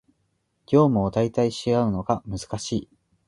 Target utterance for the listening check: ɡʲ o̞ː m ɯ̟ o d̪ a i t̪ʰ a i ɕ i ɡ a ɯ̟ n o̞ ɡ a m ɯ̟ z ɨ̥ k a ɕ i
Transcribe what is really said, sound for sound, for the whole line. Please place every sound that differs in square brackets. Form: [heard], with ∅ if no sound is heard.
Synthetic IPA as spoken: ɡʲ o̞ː m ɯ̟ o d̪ a i [t̪] a i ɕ i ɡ a ɯ̟ n o̞ ɡ a m ɯ̟ z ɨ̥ k a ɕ [iː]